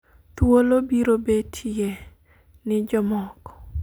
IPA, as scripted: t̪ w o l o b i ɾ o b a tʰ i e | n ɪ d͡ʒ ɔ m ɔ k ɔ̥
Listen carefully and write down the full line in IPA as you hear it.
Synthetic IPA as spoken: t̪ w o l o b i ɾ o b e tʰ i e | n ɪ d͡ʒ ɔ m ɔ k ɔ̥

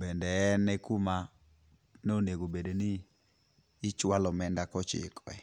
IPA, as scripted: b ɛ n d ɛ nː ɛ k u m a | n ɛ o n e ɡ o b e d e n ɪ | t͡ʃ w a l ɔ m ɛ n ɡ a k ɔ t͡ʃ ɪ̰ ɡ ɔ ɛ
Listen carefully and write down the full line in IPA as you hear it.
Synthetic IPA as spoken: b ɛ n d ɛ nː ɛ k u m a | n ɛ o n e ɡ o b e d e n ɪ | t͡ʃ w a l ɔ m ɛ n d a k ɔ t͡ʃ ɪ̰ k ɔ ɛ

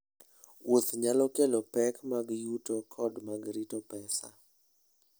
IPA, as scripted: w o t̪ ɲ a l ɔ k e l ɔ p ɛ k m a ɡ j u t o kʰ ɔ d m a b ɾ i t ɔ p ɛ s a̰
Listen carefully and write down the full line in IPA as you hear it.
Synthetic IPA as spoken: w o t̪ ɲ a l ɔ k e l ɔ p ɛ k m a ɡ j u t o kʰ ɔ d m a ɡ ɾ i t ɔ p ɛ s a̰

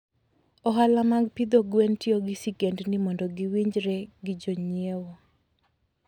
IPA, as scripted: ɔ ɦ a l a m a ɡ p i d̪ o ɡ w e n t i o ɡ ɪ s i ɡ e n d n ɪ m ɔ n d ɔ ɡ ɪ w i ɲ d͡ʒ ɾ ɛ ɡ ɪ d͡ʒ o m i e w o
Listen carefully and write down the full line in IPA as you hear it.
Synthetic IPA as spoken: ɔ ɦ a l a m a ɡ p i d̪ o ɡ w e n t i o ɡ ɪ s i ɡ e n d n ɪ m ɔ n d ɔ ɡ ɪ w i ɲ d͡ʒ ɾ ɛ ɡ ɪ d͡ʒ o ɲ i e w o

